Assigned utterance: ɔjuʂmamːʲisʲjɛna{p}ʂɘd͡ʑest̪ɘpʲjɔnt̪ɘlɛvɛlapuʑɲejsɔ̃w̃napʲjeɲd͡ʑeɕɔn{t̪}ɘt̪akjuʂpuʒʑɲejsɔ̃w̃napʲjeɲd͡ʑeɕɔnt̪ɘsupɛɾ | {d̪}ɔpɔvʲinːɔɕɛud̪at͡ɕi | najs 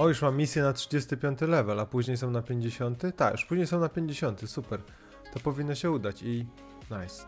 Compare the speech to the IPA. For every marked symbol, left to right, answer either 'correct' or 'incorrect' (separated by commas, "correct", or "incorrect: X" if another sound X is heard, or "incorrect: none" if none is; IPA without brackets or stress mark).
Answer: incorrect: t, correct, incorrect: t̪